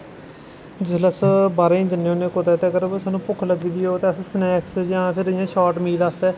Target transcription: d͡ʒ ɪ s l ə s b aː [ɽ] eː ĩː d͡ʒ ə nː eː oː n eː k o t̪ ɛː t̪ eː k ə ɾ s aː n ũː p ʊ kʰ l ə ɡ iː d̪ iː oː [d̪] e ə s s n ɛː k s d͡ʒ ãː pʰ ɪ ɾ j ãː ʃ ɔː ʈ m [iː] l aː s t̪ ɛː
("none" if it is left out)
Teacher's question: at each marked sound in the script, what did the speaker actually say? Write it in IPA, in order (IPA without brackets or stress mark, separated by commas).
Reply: ɾ, t̪, iː